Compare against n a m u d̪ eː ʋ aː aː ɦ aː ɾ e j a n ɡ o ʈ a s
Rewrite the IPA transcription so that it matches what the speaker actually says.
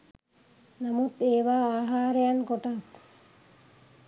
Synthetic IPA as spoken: n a m u t̪ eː ʋ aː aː ɦ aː ɾ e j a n k o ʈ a s